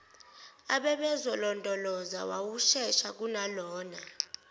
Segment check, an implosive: present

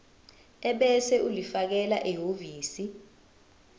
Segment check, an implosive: present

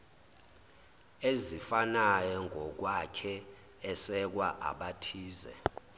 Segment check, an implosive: present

